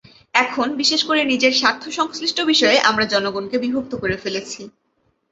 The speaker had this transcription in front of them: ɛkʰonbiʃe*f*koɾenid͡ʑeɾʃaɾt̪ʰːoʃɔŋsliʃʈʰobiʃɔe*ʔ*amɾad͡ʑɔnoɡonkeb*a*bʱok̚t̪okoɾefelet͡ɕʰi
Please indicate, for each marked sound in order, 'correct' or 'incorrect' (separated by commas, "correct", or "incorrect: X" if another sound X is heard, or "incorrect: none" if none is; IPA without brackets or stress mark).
incorrect: ʃ, correct, incorrect: i